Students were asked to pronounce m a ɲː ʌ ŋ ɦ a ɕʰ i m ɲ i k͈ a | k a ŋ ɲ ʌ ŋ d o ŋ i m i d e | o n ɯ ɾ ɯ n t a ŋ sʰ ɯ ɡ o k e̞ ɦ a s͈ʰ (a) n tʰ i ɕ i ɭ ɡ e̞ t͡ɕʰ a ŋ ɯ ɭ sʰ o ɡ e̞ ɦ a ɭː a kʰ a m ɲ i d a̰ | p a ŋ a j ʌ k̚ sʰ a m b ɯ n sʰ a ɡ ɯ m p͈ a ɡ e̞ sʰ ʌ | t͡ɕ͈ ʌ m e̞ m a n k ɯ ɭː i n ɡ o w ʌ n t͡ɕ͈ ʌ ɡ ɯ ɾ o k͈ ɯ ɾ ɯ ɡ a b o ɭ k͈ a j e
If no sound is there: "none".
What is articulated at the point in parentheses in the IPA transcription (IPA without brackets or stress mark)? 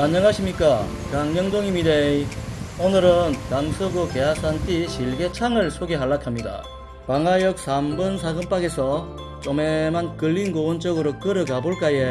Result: a